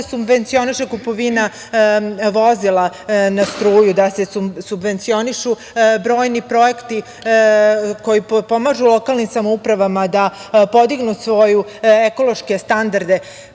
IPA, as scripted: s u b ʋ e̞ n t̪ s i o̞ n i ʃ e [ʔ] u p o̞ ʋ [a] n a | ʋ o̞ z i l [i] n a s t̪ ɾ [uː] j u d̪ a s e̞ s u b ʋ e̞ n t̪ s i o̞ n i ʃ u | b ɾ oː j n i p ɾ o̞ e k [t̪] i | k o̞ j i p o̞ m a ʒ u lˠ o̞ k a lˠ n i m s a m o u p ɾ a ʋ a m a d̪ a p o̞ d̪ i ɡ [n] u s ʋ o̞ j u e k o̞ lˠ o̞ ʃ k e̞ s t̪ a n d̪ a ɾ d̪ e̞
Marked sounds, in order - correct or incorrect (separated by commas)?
incorrect, incorrect, incorrect, correct, correct, correct